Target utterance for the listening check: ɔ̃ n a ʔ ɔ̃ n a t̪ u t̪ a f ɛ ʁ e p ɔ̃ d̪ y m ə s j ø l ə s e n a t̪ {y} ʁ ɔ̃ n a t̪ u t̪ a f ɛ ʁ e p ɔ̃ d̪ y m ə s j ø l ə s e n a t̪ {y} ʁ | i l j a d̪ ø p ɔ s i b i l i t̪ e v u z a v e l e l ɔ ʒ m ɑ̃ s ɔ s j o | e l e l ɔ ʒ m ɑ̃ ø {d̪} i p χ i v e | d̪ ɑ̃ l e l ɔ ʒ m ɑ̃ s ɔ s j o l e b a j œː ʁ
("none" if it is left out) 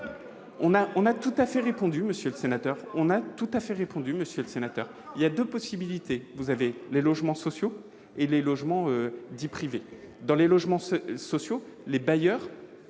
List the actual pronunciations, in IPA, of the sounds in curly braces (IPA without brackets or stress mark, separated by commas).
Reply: œ, œ, d̪